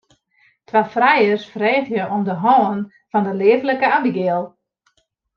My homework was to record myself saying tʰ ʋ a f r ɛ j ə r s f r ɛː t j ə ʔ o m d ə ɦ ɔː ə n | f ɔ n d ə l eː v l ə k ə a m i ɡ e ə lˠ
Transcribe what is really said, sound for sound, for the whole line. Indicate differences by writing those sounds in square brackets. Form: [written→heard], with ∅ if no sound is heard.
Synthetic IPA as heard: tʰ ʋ a f r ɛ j ə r s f r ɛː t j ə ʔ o m d ə ɦ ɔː ə n | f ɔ n d ə l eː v l ə k ə a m i ɡ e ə lˠ